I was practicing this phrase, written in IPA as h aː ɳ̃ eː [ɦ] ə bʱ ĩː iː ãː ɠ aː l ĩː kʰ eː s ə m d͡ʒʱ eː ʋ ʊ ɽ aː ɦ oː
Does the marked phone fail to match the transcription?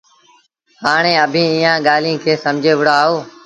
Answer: yes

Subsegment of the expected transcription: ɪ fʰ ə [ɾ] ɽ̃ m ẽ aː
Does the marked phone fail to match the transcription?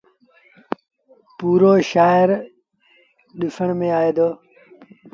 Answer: yes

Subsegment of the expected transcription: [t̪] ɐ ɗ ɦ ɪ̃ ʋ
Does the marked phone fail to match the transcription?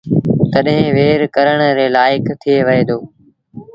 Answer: no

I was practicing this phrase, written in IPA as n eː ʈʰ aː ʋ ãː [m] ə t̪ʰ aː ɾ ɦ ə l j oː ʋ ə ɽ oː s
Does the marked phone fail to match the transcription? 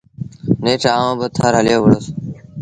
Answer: yes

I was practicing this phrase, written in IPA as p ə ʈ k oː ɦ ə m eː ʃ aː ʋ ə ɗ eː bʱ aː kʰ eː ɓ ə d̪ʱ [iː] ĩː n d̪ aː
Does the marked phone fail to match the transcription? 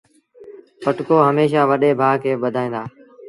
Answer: yes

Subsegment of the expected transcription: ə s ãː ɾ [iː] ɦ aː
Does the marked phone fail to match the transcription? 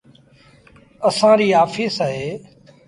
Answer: no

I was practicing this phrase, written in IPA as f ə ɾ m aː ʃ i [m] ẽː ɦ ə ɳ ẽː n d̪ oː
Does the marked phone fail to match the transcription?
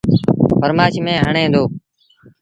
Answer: no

